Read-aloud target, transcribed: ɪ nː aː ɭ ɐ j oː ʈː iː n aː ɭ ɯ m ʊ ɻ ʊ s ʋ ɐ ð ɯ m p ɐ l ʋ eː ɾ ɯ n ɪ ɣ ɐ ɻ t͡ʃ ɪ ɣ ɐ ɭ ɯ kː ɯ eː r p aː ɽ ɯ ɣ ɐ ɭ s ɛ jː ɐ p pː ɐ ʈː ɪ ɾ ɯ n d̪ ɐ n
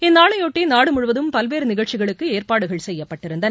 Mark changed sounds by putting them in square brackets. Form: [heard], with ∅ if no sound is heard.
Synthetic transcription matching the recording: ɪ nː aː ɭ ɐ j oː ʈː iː n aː [ɽ] ɯ m ʊ ɻ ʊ [∅] ʋ ɐ ð ɯ m p ɐ l ʋ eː ɾ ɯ n ɪ ɣ ɐ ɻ t͡ʃ ɪ ɣ ɐ ɭ ɯ kː ɯ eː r p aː ɽ ɯ ɣ ɐ ɭ s ɛ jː ɐ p pː ɐ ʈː ɪ ɾ ɯ n d̪ ɐ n